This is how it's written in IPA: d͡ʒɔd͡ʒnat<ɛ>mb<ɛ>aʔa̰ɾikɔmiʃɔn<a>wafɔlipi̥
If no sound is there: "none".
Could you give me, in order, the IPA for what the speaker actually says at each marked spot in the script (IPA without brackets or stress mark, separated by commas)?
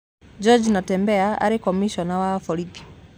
ɛ, ɛ, a